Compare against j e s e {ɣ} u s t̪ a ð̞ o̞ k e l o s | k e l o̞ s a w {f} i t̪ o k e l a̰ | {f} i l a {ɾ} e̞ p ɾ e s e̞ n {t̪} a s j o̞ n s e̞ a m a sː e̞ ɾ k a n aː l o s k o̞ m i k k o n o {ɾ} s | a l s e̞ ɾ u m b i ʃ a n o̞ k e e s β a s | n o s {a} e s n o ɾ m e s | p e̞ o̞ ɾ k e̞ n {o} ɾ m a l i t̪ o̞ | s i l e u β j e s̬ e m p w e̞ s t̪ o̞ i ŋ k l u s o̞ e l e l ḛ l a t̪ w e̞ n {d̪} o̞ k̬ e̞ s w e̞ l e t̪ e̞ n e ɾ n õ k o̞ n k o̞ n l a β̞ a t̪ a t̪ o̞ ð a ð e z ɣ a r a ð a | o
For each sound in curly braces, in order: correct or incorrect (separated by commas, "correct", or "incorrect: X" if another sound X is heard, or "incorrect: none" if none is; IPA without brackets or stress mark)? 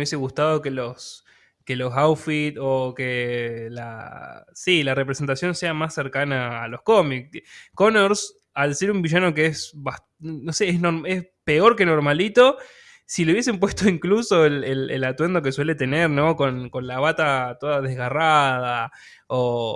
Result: correct, correct, incorrect: s, incorrect: r, correct, correct, incorrect: e, correct, correct